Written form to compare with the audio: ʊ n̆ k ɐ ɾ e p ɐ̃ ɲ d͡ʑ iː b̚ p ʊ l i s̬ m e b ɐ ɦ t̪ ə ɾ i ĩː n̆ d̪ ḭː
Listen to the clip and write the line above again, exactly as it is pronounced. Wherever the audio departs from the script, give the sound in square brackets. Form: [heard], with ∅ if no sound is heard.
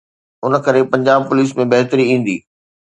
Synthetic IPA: ʊ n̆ k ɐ ɾ e p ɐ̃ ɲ d͡ʑ [aː] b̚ p ʊ l [iː] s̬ m [ẽ] b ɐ ɦ t̪ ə ɾ i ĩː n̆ d̪ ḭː